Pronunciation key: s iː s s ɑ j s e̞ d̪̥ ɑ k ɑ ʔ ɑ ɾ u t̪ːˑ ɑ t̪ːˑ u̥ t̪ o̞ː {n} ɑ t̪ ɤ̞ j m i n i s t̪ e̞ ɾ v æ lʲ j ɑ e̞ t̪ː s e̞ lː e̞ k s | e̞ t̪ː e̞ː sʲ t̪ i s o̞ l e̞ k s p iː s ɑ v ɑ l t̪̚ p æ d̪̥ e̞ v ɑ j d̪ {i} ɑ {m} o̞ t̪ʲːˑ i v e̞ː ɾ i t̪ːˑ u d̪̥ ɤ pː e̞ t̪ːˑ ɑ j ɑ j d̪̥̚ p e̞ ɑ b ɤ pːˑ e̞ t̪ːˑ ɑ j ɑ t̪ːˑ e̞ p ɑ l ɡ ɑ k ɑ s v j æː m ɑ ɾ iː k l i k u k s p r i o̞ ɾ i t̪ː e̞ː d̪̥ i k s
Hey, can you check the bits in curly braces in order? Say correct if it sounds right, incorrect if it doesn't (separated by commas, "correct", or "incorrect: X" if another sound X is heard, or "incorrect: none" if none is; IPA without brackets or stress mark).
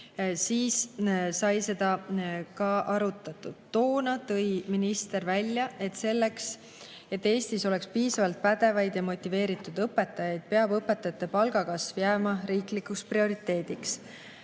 correct, incorrect: j, correct